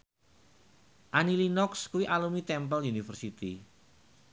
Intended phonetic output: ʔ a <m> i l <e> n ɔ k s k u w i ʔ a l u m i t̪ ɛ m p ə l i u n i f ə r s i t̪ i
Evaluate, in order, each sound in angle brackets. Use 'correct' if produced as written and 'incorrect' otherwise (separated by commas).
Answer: incorrect, incorrect